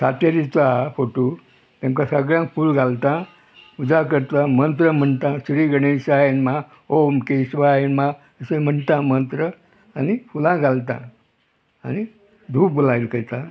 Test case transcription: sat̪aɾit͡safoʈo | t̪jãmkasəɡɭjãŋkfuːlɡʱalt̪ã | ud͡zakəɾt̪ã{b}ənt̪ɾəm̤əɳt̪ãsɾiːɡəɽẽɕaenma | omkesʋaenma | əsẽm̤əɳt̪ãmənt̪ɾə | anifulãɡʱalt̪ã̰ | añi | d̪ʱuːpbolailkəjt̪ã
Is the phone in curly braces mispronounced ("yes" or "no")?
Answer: yes